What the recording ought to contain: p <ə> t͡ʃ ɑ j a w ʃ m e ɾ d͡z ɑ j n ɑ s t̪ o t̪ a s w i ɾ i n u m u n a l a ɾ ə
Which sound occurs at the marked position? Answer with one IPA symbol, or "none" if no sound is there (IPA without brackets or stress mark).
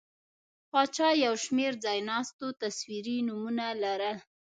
ɑ